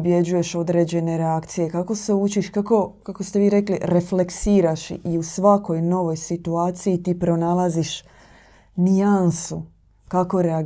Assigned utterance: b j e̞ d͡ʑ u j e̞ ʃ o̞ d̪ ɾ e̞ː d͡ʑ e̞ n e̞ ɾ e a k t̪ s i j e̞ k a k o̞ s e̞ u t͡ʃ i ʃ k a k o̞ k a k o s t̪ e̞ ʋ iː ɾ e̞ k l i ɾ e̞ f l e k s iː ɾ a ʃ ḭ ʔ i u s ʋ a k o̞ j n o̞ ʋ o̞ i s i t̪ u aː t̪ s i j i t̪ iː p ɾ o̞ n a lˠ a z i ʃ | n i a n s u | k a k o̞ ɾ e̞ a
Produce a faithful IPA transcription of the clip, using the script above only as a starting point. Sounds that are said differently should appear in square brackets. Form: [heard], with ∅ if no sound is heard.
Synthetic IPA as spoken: b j e̞ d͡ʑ u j e̞ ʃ o̞ d̪ ɾ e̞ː d͡ʑ e̞ n e̞ ɾ e a k t̪ s i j e̞ k a k o̞ s e̞ u t͡ʃ i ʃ k a k o̞ k a k o s t̪ e̞ ʋ iː ɾ e̞ k l i ɾ e̞ f l e k s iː ɾ a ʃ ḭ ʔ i u s ʋ a k o̞ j n o̞ ʋ o̞ [j] s i t̪ u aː t̪ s i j i t̪ iː p ɾ o̞ n a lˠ a z i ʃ | n i a n s u | k a k o̞ ɾ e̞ a